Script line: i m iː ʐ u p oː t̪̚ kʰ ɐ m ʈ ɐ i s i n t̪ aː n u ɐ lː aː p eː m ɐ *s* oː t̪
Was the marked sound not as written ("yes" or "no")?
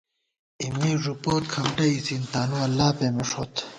yes